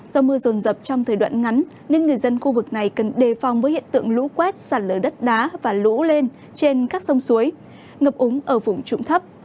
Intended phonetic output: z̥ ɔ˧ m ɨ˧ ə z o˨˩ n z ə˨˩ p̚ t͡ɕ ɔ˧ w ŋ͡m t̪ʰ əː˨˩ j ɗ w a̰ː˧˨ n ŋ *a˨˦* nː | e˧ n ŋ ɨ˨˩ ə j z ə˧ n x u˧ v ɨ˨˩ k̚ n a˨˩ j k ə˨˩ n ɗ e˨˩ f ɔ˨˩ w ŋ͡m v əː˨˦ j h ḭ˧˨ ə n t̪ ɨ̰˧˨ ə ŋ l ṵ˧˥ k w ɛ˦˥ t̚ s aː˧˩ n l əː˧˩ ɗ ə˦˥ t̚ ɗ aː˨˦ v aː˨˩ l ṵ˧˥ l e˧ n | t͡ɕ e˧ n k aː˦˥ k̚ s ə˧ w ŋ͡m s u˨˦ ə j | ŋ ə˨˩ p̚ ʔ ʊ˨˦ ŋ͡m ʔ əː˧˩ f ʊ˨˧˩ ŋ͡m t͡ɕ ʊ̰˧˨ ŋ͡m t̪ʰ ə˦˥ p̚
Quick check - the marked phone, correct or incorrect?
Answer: correct